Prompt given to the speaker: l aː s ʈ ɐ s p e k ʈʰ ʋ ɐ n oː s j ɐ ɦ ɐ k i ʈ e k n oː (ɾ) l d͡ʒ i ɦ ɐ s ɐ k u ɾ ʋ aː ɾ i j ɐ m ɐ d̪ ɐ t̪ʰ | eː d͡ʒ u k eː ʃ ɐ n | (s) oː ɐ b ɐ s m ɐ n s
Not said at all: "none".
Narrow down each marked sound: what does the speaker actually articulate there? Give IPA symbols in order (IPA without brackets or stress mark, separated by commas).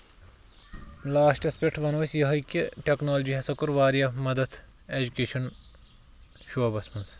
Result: none, ʃ